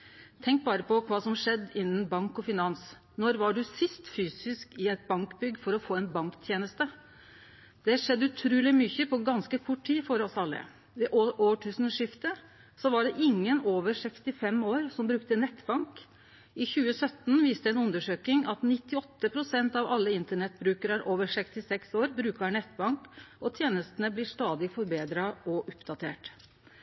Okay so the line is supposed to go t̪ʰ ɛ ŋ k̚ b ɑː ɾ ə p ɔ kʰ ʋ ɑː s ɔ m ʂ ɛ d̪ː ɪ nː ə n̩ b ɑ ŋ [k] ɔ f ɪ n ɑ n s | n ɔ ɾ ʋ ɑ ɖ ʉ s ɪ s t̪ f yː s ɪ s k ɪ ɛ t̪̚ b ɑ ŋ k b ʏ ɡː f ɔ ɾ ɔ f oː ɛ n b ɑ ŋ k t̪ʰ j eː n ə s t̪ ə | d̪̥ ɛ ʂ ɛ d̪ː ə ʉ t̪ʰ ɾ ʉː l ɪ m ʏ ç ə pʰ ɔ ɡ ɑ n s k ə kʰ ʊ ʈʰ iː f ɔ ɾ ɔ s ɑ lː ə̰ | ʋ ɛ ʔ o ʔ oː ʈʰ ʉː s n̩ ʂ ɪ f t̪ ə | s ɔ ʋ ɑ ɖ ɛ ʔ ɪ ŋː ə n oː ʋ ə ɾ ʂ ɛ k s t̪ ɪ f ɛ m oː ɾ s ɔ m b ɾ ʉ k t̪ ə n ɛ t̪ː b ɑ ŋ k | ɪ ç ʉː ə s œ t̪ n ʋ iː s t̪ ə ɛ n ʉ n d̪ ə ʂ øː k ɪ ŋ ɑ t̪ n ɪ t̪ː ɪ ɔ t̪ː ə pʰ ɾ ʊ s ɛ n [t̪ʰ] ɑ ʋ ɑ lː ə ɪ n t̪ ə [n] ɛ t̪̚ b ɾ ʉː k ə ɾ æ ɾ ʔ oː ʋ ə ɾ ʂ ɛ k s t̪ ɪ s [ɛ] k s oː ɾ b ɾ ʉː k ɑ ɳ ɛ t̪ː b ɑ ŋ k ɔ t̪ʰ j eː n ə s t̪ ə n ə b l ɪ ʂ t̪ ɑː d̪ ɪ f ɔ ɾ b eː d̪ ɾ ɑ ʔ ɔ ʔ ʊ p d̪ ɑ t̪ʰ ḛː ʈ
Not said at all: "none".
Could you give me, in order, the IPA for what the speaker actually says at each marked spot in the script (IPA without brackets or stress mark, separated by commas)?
k, t̪, ɳ, ɛ